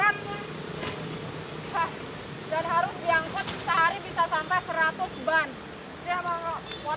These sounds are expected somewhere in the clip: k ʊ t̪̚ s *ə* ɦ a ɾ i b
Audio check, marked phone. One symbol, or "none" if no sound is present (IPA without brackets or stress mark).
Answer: ə